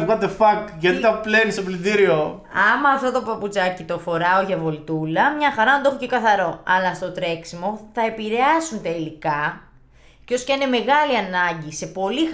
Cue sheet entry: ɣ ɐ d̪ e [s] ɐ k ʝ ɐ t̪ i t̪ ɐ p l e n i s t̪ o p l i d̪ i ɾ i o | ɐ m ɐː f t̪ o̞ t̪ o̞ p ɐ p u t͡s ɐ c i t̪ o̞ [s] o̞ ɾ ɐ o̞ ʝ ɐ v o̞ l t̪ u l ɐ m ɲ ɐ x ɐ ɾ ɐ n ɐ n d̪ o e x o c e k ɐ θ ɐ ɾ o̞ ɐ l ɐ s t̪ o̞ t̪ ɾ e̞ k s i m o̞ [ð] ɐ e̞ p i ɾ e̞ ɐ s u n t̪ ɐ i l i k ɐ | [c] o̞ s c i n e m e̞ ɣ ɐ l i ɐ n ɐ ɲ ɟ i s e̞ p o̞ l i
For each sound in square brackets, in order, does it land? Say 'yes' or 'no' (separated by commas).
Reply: no, no, no, yes